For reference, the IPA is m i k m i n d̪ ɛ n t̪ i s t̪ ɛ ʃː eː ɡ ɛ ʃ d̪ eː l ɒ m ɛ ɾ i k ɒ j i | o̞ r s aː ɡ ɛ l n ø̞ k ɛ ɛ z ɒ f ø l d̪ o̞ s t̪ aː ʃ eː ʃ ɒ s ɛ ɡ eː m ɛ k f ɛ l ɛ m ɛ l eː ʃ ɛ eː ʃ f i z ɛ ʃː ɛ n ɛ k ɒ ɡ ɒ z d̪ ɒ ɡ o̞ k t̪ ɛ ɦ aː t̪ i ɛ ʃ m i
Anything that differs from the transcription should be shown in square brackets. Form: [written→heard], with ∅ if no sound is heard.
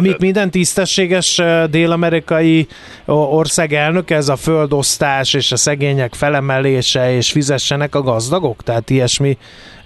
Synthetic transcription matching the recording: m i k m i n d̪ ɛ n t̪ i s t̪ ɛ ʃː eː ɡ ɛ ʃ d̪ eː l ɒ m ɛ ɾ i k ɒ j i | o̞ r s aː ɡ ɛ l n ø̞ k ɛ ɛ z ɒ f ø l d̪ o̞ s t̪ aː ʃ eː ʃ ɒ s ɛ ɡ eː [m→ɲ] ɛ k f ɛ l ɛ m ɛ l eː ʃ ɛ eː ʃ f i z ɛ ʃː ɛ n ɛ k ɒ ɡ ɒ z d̪ ɒ ɡ o̞ k t̪ ɛ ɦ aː t̪ i ɛ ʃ m i